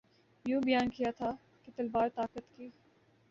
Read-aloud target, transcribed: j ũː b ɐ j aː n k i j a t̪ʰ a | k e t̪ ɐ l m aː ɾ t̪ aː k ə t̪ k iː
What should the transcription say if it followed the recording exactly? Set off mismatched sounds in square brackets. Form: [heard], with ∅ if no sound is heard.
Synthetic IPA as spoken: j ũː b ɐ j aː n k i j a t̪ʰ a | k e t̪ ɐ l [b] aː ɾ t̪ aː k ə t̪ k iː